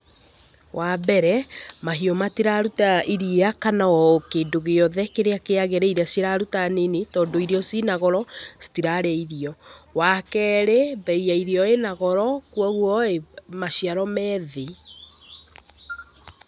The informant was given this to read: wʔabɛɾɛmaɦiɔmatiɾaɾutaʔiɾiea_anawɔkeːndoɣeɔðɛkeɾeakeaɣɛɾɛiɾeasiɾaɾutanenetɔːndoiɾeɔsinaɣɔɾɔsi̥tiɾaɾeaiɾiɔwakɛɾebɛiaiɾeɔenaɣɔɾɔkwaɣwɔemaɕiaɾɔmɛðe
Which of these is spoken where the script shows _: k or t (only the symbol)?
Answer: k